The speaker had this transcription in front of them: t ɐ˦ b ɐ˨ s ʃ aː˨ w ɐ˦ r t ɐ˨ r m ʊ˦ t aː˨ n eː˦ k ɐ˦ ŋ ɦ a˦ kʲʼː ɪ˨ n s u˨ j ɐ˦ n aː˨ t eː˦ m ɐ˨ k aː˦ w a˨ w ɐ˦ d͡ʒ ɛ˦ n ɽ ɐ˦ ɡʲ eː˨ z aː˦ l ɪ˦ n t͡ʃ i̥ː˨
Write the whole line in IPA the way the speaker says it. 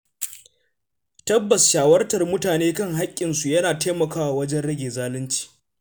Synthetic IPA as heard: t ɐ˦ bː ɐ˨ s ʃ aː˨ w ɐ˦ r t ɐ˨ r m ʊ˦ t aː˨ n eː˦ k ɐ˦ ŋ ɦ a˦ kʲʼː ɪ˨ n s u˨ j ɐ˦ n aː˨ t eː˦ m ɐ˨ k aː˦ w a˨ w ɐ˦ d͡ʒ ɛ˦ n ɽ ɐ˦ ɡʲ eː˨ z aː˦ l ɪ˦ n t͡ʃ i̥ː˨